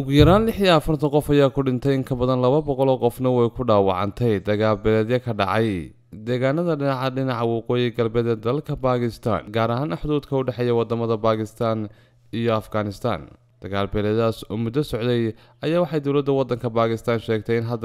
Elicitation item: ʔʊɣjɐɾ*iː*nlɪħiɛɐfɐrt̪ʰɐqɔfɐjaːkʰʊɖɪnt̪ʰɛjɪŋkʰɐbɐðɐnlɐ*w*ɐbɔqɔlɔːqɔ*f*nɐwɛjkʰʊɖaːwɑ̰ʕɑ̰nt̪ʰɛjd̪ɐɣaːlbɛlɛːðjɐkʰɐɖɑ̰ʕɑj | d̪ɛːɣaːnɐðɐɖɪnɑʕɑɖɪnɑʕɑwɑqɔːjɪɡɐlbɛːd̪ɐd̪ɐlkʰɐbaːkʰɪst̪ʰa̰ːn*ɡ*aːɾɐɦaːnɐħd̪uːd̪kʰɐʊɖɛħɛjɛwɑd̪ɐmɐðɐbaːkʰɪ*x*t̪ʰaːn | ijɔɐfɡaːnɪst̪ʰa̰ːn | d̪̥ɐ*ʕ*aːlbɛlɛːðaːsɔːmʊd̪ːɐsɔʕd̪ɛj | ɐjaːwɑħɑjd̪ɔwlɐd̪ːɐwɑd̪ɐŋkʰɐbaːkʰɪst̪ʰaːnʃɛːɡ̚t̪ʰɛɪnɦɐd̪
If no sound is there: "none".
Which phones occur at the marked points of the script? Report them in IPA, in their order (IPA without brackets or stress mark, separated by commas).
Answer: aː, β, f, ɡ, s, ɣ